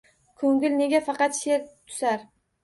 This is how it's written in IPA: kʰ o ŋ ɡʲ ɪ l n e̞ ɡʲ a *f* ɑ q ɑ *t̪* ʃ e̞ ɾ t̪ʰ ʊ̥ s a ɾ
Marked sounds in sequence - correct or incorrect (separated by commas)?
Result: correct, correct